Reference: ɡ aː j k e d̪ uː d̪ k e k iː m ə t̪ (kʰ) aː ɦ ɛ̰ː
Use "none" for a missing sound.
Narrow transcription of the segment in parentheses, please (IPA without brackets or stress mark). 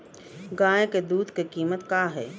k